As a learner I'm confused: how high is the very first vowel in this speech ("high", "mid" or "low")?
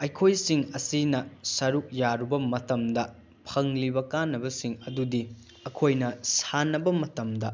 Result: low